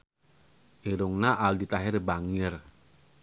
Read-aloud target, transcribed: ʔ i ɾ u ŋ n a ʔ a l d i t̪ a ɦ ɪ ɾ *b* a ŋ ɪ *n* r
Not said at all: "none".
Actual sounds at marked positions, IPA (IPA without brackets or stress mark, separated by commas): b, none